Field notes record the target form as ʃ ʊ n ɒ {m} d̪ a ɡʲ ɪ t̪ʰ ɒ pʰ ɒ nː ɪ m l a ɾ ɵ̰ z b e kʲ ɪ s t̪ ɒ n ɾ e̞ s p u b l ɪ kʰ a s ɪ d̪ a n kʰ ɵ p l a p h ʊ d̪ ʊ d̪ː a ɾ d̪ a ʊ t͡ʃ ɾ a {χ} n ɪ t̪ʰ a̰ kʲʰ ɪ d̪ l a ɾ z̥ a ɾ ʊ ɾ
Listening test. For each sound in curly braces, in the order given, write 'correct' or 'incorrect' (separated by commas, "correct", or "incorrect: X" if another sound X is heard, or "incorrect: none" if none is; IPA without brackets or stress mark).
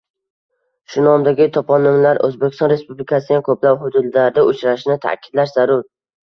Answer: correct, incorrect: ʃ